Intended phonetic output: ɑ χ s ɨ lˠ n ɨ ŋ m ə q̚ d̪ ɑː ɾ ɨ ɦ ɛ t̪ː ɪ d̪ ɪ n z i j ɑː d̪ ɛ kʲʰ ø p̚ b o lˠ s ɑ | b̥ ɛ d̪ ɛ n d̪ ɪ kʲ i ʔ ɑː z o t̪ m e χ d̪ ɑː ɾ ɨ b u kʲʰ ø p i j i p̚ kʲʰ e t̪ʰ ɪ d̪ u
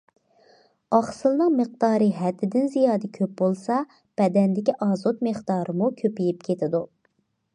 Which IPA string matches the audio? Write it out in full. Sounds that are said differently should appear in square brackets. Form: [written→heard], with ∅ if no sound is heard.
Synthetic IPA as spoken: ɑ χ s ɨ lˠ n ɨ ŋ m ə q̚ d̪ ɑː ɾ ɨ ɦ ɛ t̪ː ɪ d̪ ɪ n z i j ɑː d̪ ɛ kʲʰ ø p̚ b o lˠ s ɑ | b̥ ɛ d̪ ɛ n d̪ ɪ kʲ i ʔ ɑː z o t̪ m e χ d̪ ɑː ɾ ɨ [b→m] u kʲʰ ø p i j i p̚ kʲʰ e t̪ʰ ɪ d̪ u